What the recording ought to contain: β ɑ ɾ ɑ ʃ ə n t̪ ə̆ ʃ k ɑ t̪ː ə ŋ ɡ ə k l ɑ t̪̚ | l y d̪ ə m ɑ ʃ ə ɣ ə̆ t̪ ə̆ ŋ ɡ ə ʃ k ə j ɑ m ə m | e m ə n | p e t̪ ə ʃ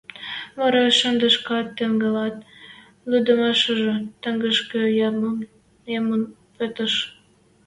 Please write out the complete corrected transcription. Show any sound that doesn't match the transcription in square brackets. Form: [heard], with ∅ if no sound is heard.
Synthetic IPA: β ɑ ɾ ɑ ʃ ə n [d̪] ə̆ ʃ k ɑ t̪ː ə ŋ ɡ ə [∅] l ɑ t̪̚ | l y d̪ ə m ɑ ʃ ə [ʒ] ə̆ t̪ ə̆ ŋ ɡ ə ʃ k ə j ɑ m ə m | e m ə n | p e t̪ ə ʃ